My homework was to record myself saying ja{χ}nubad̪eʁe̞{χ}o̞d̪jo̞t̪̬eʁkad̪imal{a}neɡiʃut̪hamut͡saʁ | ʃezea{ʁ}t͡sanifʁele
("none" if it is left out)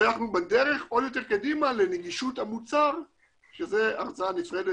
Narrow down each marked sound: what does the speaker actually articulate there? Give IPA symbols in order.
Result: χ, χ, e, ʁ

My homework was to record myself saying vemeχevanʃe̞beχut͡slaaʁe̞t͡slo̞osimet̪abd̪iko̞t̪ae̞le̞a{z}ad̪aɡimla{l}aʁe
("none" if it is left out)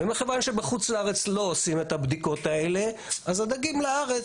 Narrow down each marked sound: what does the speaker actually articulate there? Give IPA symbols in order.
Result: z, none

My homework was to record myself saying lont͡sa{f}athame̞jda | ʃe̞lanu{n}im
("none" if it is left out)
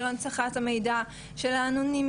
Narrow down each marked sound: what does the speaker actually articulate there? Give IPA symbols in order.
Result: χ, n

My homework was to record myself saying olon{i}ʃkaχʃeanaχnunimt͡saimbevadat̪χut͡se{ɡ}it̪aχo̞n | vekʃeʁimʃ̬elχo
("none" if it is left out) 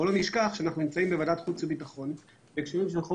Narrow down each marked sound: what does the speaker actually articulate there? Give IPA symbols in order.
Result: i, b

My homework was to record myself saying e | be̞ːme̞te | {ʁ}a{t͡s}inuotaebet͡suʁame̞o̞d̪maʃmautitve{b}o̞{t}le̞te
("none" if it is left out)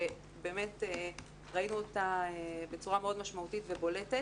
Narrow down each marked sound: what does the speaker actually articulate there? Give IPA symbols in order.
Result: ʁ, none, b, none

